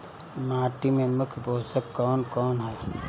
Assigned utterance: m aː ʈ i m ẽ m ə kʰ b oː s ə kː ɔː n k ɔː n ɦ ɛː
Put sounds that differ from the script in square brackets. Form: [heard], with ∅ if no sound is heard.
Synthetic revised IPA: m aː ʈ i m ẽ m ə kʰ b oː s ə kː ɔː n k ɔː n ɦ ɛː